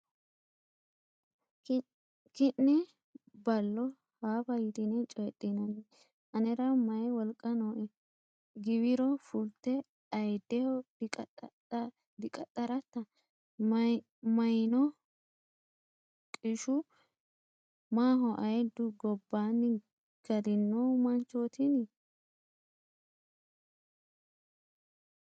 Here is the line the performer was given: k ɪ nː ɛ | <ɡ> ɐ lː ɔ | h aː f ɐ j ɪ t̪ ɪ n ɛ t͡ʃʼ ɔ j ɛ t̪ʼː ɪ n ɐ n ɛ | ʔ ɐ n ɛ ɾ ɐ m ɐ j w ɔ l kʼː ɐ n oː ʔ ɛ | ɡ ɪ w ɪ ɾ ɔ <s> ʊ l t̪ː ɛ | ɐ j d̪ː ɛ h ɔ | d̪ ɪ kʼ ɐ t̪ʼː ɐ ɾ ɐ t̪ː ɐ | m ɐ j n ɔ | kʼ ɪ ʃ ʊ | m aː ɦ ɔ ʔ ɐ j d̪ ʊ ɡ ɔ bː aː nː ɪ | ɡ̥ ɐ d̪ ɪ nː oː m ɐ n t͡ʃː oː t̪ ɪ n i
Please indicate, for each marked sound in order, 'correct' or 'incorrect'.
incorrect: b, incorrect: f

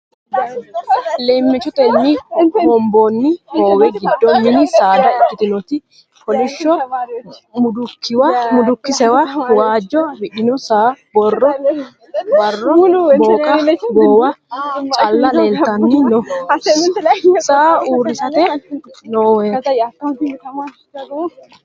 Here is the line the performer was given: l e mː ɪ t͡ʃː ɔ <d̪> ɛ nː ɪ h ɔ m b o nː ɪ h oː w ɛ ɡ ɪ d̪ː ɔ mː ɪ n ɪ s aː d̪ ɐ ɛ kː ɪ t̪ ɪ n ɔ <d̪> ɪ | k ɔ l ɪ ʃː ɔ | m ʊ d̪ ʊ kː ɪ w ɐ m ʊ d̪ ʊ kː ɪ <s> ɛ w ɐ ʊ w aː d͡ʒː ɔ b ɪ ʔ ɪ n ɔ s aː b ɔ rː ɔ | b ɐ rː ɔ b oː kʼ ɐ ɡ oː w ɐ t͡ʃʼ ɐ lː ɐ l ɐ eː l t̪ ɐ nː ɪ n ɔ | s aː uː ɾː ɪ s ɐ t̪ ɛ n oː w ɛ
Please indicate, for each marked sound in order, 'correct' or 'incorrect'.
incorrect: t̪, incorrect: t̪, correct

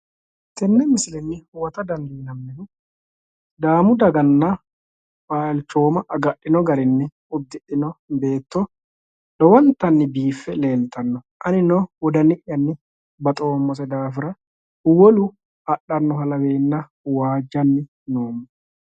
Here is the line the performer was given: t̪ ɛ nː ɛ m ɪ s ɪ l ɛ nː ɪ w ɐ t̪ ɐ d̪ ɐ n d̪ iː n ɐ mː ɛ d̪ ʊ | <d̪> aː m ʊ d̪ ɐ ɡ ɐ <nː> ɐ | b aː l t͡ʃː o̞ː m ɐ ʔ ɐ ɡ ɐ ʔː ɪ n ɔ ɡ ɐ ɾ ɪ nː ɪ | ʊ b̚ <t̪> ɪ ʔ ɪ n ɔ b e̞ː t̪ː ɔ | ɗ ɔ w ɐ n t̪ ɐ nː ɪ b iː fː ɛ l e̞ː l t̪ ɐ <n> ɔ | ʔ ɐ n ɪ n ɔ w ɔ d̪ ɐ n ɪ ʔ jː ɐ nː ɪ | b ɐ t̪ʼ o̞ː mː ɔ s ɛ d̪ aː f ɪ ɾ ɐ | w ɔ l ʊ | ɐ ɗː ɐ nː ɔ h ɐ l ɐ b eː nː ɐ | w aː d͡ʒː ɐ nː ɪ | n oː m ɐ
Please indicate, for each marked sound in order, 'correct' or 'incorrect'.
correct, correct, incorrect: d̪, incorrect: nː

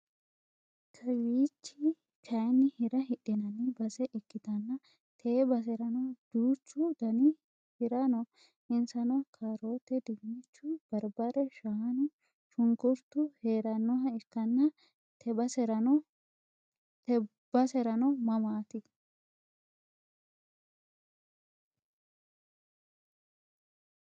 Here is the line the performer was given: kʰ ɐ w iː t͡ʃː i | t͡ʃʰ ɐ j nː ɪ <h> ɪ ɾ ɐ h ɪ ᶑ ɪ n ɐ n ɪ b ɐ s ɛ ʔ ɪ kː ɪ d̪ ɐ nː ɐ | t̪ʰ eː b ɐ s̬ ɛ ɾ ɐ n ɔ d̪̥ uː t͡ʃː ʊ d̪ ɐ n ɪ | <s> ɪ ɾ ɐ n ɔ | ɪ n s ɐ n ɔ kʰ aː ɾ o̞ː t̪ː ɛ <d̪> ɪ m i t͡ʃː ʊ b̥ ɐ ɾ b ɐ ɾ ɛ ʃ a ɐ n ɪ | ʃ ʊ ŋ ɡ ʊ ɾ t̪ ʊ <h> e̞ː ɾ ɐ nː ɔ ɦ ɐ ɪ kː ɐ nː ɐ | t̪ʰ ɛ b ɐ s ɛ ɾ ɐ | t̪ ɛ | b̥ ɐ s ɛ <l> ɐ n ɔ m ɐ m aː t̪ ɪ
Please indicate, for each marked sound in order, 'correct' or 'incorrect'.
correct, incorrect: h, correct, correct, incorrect: ɾ

